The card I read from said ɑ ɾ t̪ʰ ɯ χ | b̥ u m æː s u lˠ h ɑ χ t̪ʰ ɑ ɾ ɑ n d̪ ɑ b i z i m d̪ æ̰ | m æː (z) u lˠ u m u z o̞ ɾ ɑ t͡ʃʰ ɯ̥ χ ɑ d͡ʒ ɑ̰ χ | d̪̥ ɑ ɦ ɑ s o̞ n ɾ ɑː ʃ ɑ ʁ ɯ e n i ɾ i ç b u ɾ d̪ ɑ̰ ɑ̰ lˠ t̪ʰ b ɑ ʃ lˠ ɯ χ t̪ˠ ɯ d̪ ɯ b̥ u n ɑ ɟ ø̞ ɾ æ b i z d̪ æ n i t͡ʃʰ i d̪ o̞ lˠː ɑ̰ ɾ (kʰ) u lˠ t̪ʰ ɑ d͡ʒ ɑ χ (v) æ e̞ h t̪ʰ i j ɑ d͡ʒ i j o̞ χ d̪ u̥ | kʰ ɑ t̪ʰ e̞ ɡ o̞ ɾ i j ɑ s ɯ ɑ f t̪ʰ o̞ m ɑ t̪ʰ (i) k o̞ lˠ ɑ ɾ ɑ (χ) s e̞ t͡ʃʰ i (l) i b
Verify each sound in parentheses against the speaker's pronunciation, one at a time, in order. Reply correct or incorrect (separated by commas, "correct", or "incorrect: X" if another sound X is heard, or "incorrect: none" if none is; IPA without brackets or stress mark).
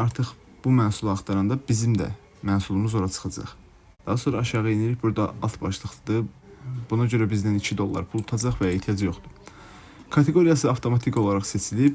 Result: incorrect: s, incorrect: pʰ, correct, correct, correct, correct